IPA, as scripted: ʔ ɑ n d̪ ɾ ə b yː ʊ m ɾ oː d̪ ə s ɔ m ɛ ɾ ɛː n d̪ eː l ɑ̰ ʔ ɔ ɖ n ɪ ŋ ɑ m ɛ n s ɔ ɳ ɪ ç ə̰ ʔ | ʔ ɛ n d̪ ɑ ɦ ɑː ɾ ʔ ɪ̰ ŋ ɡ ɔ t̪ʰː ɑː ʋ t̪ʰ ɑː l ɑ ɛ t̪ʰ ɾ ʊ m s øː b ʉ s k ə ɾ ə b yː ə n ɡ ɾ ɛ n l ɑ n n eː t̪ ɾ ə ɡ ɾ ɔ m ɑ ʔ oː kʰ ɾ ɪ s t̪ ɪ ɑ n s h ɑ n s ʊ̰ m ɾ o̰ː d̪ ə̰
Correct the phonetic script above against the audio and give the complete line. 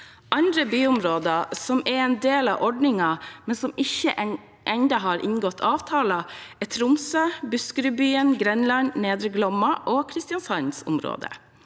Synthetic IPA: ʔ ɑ n d̪ ɾ ə b yː ʊ m ɾ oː d̪ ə s ɔ m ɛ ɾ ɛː n d̪ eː l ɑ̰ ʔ ɔ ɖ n ɪ ŋ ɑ m ɛ n s ɔ m ɪ ç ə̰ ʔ | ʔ ɛ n d̪ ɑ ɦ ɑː ɾ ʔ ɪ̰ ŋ ɡ ɔ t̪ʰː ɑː ʋ t̪ʰ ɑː l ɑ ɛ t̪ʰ ɾ ʊ m s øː b ʉ s k ə ɾ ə b yː ə n ɡ ɾ ɛ n l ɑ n n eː d̪ ɾ ə ɡ l ɔ m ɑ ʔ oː kʰ ɾ ɪ s t̪ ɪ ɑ n s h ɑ n s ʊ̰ m ɾ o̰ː d̪ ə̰